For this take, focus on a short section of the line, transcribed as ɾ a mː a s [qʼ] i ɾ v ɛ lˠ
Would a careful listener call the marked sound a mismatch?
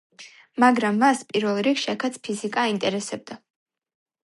yes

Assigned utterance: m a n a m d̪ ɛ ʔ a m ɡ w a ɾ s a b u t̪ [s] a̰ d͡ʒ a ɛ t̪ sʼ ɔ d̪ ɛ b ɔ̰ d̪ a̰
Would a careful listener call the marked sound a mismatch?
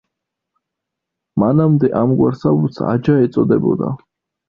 no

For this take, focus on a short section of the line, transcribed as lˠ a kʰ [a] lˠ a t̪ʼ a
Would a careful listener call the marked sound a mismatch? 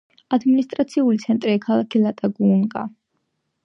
yes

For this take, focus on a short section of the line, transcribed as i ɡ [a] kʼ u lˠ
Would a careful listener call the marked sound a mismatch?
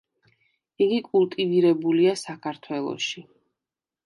yes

